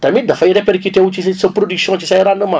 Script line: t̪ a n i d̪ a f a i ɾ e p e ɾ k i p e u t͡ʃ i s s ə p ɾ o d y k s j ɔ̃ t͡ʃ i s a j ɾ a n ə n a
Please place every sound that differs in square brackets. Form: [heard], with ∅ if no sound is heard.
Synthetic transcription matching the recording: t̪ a [m] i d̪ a f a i ɾ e p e ɾ k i [t] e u t͡ʃ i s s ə p ɾ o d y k s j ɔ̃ t͡ʃ i s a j ɾ a n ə [m] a